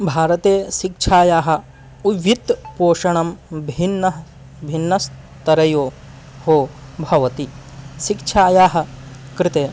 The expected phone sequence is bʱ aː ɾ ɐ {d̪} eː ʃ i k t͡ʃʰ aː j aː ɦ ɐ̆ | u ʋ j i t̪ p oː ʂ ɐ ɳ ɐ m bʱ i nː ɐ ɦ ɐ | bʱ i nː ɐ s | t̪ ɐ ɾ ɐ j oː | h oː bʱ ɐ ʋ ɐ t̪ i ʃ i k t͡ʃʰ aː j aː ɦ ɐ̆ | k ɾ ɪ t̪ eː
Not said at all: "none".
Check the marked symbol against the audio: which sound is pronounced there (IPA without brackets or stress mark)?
t̪